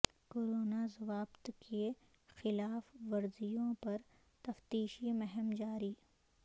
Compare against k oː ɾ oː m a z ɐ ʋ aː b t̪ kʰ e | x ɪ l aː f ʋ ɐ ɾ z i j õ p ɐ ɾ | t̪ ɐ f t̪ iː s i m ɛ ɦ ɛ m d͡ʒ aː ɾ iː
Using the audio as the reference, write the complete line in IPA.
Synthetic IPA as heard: k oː ɾ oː n a z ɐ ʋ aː b t̪ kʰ e | x ɪ l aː f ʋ ɐ ɾ z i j õ p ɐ ɾ | t̪ ɐ f t̪ iː ʃ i m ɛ ɦ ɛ m d͡ʒ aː ɾ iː

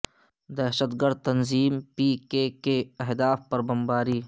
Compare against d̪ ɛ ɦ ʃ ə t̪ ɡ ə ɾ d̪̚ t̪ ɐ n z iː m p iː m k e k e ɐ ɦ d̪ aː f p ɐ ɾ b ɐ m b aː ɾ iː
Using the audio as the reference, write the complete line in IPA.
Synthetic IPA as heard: d̪ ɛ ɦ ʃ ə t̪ ɡ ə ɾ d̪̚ t̪ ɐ n z iː m p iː k e k e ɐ ɦ d̪ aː f p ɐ ɾ b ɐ m b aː ɾ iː

